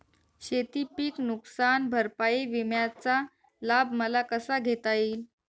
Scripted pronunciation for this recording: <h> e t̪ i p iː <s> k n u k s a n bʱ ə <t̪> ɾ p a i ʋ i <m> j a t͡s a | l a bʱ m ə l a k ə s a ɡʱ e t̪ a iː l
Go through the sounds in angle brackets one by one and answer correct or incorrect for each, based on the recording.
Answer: incorrect, incorrect, incorrect, correct

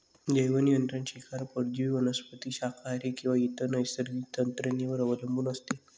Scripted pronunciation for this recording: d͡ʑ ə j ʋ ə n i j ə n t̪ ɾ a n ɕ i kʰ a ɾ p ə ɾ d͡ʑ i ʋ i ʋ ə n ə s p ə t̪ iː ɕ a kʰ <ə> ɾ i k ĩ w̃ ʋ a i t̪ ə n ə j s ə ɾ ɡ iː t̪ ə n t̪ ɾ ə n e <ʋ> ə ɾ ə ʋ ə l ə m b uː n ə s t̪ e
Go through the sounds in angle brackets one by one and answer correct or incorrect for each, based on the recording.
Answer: incorrect, correct

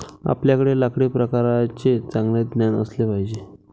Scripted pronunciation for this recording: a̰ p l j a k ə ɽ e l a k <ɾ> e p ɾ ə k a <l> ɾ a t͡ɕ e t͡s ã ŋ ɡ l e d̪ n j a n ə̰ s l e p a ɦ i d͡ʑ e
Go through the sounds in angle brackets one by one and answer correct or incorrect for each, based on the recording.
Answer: incorrect, incorrect

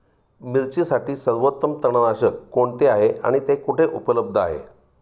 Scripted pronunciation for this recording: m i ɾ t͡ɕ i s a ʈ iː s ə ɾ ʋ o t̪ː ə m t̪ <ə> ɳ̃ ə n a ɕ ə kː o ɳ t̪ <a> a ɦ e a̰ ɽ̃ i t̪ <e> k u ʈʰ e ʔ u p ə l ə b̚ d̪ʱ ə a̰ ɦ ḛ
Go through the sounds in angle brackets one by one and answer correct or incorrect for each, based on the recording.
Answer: correct, incorrect, correct

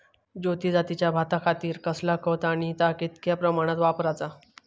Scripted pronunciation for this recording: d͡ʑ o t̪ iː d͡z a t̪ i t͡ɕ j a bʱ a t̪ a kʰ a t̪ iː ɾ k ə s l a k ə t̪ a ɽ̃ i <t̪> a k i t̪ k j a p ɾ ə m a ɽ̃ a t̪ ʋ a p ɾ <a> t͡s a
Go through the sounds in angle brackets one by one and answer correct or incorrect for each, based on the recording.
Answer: correct, correct

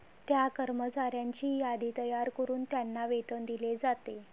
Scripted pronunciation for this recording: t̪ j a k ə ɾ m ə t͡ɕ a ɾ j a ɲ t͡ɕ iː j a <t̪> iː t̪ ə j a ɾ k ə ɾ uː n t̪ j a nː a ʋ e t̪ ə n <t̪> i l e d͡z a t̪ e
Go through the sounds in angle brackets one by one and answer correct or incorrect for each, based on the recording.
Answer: incorrect, incorrect

